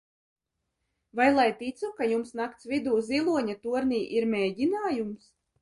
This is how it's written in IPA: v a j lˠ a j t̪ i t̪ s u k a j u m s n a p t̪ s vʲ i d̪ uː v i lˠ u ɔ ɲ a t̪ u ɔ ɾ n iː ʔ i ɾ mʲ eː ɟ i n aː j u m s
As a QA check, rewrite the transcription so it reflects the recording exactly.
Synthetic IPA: v a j lˠ a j t̪ i t̪ s u k a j u m s n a k t̪ s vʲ i d̪ uː z i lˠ u ɔ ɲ a t̪ u ɔ ɾ n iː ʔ i ɾ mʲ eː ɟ i n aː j u m s